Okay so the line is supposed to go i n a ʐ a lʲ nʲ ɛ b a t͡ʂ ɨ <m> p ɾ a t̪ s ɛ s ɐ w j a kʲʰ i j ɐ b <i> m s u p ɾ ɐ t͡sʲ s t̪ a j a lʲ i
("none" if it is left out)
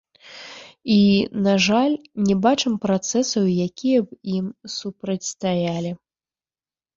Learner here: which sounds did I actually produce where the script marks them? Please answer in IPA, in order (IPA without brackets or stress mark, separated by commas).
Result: m, i